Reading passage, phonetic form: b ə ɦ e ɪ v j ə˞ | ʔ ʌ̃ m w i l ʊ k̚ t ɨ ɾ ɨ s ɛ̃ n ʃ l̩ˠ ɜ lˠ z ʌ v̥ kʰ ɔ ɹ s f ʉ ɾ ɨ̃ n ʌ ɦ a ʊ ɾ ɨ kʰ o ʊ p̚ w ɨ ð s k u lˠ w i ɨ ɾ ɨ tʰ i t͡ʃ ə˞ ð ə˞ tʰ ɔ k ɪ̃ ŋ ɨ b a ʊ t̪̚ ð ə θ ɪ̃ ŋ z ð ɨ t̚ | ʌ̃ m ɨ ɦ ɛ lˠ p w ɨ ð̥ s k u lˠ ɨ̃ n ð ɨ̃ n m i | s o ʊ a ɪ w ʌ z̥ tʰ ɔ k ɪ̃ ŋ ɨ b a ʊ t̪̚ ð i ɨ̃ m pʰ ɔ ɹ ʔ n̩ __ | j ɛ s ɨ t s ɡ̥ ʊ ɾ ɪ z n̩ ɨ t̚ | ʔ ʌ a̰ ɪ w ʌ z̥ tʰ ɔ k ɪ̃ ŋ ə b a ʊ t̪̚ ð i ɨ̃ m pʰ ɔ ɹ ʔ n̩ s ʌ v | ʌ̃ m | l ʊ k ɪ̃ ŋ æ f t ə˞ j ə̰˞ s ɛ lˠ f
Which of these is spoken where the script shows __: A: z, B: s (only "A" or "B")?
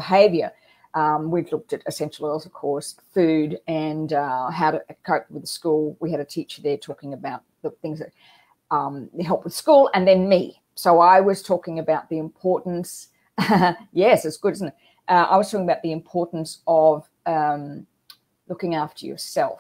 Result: B